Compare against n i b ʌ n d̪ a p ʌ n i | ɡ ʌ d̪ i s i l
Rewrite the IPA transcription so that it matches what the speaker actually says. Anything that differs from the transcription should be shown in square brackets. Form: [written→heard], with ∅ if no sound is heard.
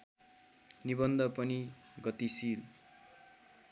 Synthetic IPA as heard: n i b ʌ n d̪ [a→ʌ] p ʌ n i | ɡ ʌ [d̪→t̪] i s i l

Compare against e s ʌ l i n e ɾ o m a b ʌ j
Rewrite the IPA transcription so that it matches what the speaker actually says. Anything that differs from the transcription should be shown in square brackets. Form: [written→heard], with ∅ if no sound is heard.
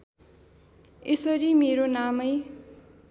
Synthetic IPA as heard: e s ʌ [l→ɾ] i [n→m] e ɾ o [m→n] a [b→m] ʌ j

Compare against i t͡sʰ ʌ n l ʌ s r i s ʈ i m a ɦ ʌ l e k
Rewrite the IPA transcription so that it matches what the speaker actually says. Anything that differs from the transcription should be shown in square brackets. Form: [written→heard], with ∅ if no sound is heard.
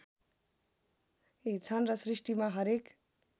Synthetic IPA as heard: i t͡sʰ ʌ n [l→r] ʌ s r i s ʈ i m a ɦ ʌ [l→ɾ] e k

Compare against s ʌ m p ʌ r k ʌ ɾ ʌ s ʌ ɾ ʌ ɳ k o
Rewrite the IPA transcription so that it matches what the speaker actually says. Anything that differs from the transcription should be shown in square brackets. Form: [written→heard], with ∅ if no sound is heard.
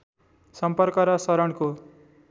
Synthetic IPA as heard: s ʌ m p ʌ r k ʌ ɾ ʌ s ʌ ɾ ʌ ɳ k o

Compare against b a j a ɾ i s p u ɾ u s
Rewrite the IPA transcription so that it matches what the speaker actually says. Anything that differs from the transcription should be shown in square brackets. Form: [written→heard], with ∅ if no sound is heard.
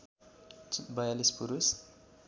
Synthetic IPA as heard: b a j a [ɾ→l] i s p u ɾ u s

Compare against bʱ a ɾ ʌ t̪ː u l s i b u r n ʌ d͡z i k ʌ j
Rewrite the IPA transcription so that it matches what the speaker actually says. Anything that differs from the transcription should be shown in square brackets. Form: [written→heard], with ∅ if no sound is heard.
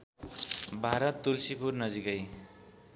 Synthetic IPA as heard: bʱ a ɾ ʌ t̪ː u l s i [b→p] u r n ʌ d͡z i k ʌ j

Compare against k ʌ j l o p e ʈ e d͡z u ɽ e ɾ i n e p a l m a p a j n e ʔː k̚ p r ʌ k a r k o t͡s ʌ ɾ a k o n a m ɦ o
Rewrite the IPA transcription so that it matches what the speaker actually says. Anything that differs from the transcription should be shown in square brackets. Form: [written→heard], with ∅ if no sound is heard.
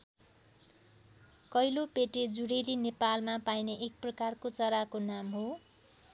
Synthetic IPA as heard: k ʌ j l o p e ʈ e d͡z u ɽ e [ɾ→l] i n e p a l m a p a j n e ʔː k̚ p r ʌ k a r k o t͡s ʌ ɾ a k o n a m ɦ o

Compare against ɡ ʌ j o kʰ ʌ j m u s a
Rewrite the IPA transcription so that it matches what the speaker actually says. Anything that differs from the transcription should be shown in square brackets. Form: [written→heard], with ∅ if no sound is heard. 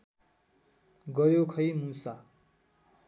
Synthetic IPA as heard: ɡ ʌ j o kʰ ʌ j m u s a

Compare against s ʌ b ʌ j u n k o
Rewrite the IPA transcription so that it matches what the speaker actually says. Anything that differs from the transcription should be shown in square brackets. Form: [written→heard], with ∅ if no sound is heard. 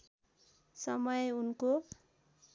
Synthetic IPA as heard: s ʌ [b→m] ʌ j u n k o

